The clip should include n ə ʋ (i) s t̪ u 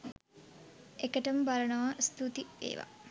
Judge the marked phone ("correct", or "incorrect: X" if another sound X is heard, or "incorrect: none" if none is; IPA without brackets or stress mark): incorrect: a